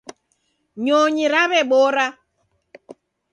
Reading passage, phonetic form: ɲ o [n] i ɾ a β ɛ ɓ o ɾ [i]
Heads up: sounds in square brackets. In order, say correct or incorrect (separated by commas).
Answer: incorrect, incorrect